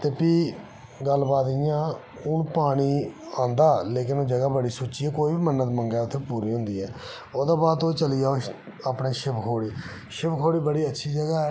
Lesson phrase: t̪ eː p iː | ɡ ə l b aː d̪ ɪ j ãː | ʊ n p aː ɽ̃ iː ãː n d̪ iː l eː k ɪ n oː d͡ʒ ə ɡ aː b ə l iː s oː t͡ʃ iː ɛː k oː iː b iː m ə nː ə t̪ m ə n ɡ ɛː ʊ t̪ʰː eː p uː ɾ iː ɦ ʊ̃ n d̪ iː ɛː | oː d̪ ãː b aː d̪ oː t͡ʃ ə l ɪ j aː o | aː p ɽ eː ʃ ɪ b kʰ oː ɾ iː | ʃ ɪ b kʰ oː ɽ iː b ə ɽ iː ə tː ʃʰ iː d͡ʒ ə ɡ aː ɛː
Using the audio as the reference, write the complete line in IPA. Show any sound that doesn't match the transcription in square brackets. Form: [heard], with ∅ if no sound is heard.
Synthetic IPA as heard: t̪ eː p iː | ɡ ə l b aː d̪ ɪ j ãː | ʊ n p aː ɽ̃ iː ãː n d̪ [aː] l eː k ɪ n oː d͡ʒ ə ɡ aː b ə [ɽ] iː s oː t͡ʃ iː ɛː k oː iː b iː m ə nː ə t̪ m ə [ŋ] ɡ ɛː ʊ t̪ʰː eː p uː ɾ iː ɦ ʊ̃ n d̪ iː ɛː | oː d̪ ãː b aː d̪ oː t͡ʃ ə l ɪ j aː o | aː p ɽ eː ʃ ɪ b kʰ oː [ɽ] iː | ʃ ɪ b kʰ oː ɽ iː b ə ɽ iː ə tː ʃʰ iː d͡ʒ ə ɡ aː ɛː

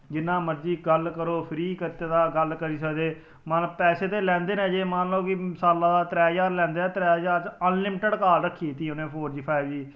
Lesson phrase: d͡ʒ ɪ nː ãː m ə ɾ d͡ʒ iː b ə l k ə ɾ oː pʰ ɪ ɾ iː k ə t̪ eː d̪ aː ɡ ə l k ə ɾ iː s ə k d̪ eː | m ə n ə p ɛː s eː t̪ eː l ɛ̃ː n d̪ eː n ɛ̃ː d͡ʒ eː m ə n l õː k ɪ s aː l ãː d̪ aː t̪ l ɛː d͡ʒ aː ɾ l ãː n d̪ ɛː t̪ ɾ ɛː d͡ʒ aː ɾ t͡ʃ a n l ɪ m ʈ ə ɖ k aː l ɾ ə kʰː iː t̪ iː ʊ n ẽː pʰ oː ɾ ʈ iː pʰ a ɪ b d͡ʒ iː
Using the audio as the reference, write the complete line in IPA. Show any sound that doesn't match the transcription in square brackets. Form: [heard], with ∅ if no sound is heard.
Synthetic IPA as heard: d͡ʒ ɪ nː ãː m ə ɾ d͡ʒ iː [ɡ] ə l k ə ɾ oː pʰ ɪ ɾ iː k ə t̪ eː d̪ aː ɡ ə l k ə ɾ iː s ə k d̪ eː | m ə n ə p ɛː s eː t̪ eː l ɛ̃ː n d̪ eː n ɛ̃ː d͡ʒ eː m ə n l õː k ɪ s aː l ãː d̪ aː t̪ [ɾ] ɛː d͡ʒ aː ɾ l [ɛ̃ː] n d̪ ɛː t̪ ɾ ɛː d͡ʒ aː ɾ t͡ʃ [ə] n l ɪ m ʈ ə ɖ k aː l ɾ ə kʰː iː t̪ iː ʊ n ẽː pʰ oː ɾ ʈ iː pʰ a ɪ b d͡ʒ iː

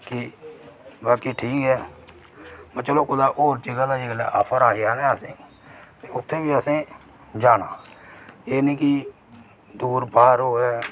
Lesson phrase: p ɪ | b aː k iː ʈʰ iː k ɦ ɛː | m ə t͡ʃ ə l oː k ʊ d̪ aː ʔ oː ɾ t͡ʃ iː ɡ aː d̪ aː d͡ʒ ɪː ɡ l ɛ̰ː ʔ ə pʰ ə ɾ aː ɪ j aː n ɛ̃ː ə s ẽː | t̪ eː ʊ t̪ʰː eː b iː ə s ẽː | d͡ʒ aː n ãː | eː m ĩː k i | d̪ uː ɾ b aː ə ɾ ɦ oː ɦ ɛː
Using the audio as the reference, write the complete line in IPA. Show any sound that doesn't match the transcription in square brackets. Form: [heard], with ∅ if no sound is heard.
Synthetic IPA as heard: [k] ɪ | b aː k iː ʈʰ iː k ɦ ɛː | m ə t͡ʃ ə l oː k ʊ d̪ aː ʔ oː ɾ t͡ʃ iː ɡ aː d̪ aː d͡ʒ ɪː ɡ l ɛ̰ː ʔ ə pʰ ə ɾ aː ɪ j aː n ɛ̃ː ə s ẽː | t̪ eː ʊ t̪ʰː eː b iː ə s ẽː | d͡ʒ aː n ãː | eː [n] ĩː k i | d̪ uː ɾ b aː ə ɾ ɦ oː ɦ ɛː

